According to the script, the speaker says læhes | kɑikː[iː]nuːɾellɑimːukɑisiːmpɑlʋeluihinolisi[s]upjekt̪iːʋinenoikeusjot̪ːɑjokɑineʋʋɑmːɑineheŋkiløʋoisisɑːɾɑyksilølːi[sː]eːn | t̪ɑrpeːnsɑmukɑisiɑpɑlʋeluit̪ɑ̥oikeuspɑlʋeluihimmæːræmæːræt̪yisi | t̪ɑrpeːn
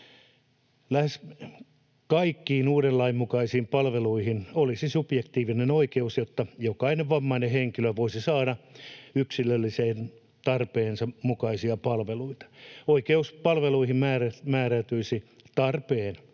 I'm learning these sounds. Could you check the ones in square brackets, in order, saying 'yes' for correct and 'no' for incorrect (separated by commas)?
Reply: yes, yes, no